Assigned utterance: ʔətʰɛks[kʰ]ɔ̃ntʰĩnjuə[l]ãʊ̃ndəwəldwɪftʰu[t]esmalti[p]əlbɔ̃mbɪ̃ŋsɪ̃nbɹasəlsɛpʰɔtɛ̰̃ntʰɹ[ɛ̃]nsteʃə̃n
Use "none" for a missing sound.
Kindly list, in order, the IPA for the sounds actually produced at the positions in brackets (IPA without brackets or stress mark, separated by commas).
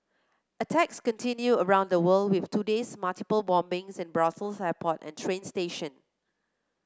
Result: k, ɹ, d, p, ẽ